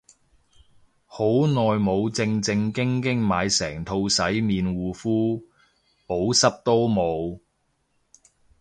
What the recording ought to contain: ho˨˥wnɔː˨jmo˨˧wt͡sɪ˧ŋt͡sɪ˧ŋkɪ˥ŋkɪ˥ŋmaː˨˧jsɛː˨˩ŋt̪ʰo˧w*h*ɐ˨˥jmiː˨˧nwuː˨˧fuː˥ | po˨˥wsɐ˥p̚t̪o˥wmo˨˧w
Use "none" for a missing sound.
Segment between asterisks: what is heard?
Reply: s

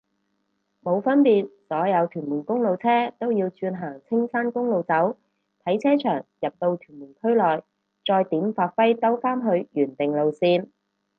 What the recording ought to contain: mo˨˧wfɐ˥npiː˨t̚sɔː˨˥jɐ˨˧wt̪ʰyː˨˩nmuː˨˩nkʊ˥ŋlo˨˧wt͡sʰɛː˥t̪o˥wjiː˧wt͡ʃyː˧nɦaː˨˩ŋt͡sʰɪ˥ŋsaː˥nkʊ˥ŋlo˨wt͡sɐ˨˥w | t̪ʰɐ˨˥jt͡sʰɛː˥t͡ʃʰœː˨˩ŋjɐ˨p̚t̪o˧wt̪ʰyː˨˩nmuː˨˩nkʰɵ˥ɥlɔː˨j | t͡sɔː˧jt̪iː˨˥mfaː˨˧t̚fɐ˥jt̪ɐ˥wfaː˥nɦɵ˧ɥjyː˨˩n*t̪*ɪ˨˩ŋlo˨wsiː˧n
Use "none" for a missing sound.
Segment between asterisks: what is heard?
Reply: t̪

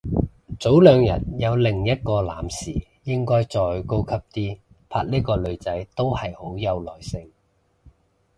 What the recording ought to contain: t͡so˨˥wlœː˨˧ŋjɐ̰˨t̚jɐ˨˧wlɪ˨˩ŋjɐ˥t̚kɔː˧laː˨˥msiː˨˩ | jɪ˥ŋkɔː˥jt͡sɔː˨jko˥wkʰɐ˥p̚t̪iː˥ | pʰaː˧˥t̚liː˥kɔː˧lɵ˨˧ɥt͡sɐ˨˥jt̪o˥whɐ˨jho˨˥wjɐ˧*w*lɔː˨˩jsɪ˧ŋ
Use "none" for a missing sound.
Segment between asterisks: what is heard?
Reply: w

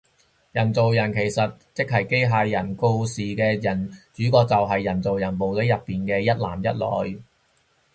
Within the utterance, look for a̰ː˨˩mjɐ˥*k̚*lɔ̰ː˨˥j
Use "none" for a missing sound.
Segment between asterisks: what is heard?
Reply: t̚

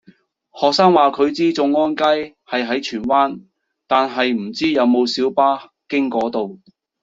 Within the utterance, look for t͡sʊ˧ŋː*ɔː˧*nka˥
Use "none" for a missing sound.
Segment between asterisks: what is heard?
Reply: ɔː˥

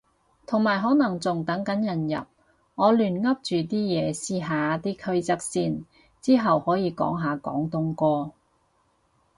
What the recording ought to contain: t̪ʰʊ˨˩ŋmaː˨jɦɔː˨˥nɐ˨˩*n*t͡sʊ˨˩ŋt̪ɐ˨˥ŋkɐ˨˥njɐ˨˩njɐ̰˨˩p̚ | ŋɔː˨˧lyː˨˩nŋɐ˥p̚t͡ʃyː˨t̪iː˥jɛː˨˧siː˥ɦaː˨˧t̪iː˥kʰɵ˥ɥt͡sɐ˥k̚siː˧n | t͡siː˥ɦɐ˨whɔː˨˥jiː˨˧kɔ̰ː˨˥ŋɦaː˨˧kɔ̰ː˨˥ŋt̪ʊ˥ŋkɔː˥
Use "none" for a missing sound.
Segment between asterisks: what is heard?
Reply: ŋ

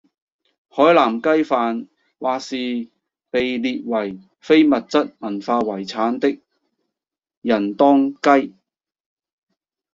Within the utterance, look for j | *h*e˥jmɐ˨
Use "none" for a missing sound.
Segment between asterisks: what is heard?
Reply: f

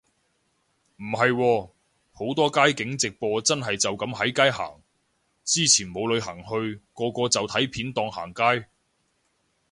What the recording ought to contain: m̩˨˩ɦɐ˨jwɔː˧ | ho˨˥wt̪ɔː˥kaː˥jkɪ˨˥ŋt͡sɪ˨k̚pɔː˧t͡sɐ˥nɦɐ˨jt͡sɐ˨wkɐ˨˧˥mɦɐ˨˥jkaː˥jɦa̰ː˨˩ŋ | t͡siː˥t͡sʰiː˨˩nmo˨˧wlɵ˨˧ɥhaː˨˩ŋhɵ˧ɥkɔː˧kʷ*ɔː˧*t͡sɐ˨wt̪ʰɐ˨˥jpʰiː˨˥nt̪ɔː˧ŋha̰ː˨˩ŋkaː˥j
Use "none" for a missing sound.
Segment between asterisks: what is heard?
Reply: ɔː˧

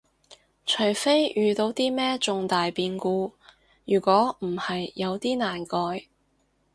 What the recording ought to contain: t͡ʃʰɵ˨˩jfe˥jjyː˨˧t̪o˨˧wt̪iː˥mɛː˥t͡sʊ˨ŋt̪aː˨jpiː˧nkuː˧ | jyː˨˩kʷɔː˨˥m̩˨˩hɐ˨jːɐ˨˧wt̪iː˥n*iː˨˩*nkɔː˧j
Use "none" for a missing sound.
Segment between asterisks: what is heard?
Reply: aː˨˩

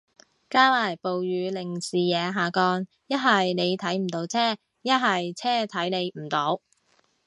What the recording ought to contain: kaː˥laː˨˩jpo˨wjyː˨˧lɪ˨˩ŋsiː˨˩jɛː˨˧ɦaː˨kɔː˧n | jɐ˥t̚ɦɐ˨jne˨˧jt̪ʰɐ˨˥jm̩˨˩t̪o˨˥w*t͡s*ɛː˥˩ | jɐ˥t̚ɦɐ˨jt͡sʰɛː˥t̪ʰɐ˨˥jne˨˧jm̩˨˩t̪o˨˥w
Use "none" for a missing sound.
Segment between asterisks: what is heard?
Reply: t͡sʰ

